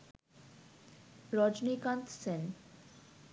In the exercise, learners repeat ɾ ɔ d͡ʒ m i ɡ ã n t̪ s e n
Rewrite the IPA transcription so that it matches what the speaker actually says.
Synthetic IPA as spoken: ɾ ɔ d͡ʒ n i k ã n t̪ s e n